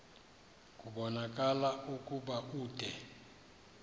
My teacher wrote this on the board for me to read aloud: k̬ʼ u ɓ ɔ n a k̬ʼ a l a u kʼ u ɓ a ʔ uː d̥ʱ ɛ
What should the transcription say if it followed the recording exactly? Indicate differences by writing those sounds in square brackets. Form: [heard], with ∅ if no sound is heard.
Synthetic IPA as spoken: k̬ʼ u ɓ ɔ n a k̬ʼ a l a u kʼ u ɓ a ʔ uː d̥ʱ ɛ